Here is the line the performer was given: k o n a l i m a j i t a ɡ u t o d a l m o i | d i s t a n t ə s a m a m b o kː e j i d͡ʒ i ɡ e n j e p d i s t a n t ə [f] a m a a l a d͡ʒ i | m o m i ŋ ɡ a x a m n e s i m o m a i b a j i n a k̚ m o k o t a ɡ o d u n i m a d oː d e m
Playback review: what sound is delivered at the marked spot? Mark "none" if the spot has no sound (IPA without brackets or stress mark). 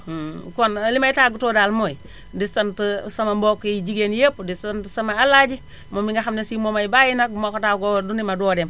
s